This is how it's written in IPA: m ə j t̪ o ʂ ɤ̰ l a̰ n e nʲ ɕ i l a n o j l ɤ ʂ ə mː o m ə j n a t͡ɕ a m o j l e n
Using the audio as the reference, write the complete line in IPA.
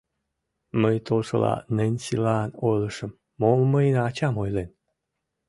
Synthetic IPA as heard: m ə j t̪ o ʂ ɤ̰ l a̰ n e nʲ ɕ i l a n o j l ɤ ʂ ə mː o m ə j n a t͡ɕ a m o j l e n